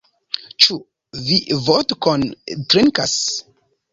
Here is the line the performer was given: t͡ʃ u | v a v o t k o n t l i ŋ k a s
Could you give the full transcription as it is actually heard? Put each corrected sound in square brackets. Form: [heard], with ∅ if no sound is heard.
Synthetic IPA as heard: t͡ʃ u | v [i] v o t k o n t [ɾ] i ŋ k a s